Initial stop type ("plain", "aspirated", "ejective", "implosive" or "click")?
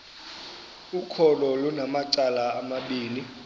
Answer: aspirated